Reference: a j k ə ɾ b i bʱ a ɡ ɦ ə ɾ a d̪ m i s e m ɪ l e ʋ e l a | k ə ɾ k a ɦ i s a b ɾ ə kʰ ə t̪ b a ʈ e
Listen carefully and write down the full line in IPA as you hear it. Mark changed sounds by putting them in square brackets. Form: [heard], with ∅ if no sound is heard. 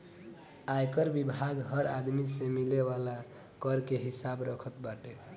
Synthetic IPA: a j k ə ɾ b i bʱ a ɡ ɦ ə ɾ a d̪ m i s e m [i] l e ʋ [a] l a | k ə ɾ k [e] ɦ i s a b ɾ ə kʰ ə t̪ b a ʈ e